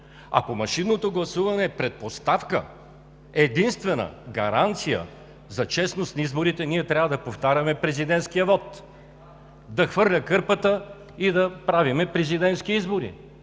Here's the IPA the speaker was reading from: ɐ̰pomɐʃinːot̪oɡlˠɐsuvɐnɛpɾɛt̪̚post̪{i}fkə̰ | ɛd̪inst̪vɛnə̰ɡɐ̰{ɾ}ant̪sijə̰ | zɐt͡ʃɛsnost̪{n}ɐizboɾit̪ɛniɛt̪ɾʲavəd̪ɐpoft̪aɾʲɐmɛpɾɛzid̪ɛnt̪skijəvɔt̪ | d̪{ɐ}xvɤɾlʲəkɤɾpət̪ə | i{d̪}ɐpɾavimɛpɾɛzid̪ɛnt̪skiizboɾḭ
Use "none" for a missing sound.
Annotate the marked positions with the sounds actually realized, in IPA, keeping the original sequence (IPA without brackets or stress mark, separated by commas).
a, ɾ, n, ɐ, d̪